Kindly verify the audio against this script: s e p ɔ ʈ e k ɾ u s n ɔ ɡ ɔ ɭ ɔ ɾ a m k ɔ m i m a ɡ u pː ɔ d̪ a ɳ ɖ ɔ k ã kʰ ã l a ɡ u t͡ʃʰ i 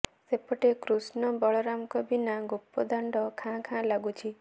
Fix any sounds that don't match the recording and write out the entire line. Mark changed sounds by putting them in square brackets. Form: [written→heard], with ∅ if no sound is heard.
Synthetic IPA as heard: s e p ɔ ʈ e k ɾ u s n ɔ [ɡ→b] ɔ ɭ ɔ ɾ a m k ɔ [m→b] i [m→n] a ɡ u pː ɔ d̪ a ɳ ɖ ɔ [k→kʰ] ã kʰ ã l a ɡ u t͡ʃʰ i